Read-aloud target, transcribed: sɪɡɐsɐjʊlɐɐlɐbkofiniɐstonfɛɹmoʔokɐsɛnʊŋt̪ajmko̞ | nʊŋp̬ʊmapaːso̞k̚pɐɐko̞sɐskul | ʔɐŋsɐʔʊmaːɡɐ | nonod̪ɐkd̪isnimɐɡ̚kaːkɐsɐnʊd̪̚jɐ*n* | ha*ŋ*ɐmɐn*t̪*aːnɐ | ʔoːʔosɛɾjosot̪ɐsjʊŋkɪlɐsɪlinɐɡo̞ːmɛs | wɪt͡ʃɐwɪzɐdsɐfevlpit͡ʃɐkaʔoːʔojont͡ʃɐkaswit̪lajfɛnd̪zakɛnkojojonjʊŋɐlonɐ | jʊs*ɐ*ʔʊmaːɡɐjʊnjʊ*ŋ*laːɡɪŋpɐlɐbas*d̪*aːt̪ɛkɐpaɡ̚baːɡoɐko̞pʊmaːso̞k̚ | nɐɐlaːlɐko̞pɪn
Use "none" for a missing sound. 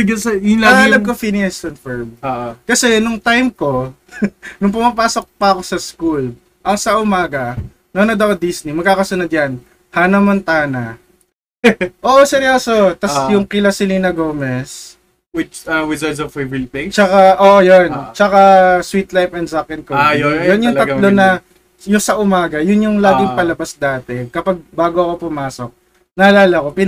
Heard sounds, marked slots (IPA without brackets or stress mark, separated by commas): n, n, t̪, ɐ, ŋ, d̪